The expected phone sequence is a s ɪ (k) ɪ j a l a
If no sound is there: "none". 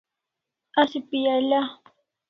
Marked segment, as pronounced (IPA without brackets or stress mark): p